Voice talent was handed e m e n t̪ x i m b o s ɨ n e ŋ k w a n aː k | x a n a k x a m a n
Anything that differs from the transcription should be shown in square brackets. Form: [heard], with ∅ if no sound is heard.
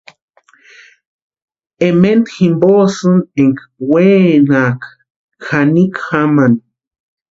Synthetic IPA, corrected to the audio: e m e n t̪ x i m b o s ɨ n e ŋ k w [e] n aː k | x a n [i] k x a m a n